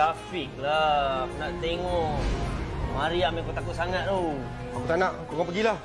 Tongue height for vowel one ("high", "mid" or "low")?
low